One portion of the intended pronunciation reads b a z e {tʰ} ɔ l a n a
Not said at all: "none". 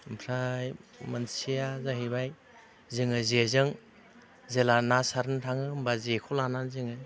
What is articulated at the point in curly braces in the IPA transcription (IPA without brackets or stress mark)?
kʰ